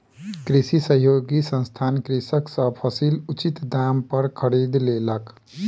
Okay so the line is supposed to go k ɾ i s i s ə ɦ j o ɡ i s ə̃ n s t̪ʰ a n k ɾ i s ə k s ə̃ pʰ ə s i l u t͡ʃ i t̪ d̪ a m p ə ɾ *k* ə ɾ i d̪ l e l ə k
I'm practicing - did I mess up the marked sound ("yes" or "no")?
yes